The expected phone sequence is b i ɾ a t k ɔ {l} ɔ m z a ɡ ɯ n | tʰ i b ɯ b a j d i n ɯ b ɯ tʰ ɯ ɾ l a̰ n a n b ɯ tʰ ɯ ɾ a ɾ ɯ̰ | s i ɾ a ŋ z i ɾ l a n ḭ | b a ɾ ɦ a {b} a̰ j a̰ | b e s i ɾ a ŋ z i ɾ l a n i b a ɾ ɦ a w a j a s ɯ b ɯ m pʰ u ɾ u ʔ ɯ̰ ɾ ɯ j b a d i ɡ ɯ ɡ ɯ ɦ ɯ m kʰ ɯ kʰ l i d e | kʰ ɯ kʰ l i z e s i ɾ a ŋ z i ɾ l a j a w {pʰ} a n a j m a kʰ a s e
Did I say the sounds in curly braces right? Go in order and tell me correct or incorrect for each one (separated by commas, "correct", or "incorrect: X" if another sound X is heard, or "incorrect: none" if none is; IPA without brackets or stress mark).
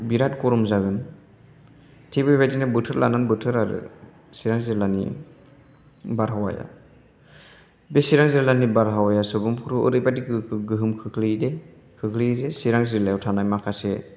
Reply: incorrect: ɾ, incorrect: w, incorrect: tʰ